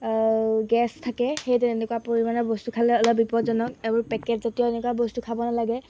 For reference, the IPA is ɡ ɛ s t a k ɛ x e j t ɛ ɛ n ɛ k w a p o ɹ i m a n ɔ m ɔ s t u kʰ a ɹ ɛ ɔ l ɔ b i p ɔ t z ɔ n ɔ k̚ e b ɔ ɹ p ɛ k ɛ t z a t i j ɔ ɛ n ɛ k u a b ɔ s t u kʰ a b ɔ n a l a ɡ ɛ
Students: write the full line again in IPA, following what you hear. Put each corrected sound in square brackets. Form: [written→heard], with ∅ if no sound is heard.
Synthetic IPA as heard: ɡ ɛ s [t→tʰ] a k ɛ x e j t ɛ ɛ n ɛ k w a p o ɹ i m a n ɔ [m→b] ɔ s t u kʰ a [ɹ→l] ɛ ɔ l ɔ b i p ɔ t z ɔ n ɔ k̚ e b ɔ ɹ p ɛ k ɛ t z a t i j ɔ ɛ n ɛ k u a b ɔ s t u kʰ a b ɔ n a l a ɡ ɛ